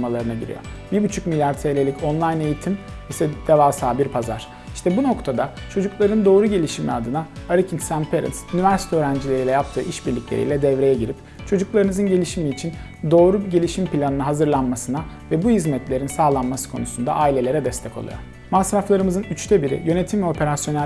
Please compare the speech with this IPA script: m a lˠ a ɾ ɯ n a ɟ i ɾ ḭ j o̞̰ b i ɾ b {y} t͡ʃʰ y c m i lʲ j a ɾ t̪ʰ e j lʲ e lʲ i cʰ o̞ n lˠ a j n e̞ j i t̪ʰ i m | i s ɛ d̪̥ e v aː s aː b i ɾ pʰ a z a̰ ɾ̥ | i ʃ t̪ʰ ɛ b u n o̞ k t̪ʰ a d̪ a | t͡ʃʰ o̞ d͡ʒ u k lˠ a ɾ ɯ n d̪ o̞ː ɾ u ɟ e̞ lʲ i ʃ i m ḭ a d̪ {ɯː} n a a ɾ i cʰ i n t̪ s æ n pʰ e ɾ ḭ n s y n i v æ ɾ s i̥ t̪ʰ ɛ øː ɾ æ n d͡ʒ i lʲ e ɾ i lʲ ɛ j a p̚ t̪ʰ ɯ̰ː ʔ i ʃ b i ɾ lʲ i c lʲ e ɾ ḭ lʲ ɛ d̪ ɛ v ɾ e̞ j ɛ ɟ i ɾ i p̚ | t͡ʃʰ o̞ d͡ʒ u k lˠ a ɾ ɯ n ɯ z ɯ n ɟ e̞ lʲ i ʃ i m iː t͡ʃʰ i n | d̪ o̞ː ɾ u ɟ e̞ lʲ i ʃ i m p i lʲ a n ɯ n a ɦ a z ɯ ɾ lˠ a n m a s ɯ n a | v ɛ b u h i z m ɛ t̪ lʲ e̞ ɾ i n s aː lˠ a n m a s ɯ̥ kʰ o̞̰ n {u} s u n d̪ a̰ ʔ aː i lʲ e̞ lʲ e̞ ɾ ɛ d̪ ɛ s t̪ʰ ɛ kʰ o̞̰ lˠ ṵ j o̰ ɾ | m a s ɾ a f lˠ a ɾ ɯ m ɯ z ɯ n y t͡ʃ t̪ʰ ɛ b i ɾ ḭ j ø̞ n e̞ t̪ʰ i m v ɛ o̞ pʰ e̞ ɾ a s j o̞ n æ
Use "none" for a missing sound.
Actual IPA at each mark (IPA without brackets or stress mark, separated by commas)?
y, ɯ, u